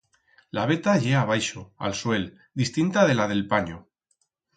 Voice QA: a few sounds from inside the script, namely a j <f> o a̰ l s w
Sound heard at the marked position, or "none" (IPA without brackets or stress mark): ʃ